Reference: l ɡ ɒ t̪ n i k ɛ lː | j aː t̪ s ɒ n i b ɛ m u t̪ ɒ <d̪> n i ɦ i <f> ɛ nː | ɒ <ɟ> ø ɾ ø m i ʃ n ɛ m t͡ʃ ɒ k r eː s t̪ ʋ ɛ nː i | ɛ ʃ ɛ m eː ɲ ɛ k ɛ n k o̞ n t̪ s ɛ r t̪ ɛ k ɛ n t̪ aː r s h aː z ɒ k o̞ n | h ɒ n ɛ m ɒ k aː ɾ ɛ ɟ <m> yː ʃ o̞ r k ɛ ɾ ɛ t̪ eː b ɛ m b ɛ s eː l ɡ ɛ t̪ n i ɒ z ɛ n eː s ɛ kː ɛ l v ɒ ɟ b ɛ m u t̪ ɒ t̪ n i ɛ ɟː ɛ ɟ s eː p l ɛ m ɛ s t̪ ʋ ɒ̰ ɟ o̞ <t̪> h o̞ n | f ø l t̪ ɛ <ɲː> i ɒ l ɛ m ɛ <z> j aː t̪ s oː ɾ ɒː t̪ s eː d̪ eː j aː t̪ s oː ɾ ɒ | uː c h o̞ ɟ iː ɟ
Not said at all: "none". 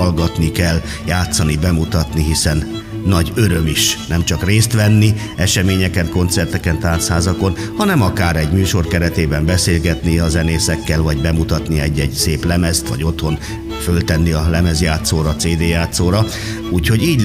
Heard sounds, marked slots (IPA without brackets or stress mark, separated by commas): t̪, s, ɟ, m, t̪, nː, z